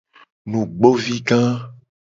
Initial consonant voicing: voiced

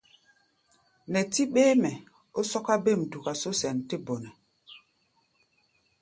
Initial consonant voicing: voiced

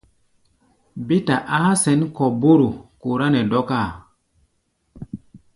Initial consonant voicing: voiced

